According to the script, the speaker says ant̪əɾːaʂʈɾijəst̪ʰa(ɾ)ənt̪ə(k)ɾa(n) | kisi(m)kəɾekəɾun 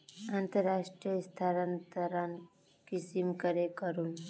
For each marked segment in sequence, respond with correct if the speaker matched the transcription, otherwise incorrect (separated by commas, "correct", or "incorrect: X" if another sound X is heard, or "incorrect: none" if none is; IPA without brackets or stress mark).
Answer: correct, incorrect: none, correct, correct